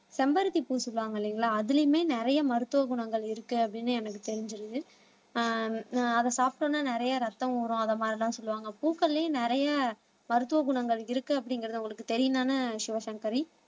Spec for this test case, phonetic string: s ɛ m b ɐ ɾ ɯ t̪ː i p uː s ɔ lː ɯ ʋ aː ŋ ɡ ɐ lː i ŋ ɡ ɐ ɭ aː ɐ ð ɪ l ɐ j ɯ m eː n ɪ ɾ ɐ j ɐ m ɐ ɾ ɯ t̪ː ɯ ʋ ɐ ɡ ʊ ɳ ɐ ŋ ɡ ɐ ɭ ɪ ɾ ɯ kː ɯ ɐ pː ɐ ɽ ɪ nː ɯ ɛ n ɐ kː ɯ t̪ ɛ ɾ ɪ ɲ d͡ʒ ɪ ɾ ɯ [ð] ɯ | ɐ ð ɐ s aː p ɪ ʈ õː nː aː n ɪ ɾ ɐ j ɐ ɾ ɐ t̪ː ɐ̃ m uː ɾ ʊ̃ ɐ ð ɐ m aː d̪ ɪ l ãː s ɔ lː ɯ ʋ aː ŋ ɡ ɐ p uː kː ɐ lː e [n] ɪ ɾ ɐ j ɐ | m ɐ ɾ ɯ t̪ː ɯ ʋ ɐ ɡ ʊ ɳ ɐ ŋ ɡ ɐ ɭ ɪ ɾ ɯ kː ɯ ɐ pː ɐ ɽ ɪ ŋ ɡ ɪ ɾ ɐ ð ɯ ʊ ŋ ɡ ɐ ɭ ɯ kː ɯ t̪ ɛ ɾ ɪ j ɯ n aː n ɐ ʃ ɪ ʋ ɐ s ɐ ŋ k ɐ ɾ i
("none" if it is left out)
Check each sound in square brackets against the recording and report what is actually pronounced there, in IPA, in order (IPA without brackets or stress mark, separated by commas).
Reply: ð, n